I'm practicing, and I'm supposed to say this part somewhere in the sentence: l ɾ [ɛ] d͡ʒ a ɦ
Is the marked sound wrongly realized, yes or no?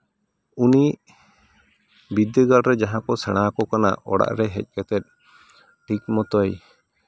no